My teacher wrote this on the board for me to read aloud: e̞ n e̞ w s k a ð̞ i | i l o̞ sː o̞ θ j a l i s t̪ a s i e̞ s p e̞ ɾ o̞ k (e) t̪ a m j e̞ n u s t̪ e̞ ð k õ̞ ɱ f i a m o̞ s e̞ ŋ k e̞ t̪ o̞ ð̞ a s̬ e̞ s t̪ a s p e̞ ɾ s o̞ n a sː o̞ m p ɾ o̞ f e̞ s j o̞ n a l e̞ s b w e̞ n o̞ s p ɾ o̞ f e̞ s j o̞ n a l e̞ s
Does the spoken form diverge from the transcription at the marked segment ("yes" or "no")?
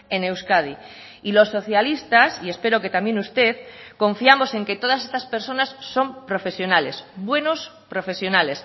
no